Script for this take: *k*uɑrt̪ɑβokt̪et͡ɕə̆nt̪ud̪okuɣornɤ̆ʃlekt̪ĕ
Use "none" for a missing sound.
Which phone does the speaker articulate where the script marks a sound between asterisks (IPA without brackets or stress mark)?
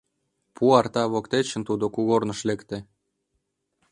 p